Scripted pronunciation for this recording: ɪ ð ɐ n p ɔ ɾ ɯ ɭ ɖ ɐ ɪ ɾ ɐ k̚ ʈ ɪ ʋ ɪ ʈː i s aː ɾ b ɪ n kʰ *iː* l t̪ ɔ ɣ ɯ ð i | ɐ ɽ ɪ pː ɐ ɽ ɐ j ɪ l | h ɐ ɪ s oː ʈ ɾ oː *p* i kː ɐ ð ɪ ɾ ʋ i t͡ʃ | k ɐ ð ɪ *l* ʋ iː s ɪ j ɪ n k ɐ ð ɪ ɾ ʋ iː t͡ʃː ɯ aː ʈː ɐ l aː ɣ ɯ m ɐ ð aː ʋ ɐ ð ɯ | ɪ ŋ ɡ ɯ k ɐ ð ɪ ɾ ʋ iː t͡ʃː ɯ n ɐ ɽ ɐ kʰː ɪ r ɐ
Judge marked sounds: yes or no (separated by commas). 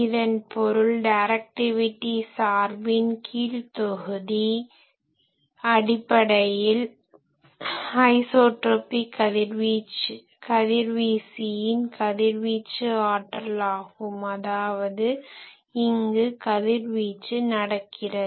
yes, yes, no